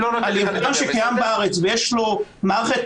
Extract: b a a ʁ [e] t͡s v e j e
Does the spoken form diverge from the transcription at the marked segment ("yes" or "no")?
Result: no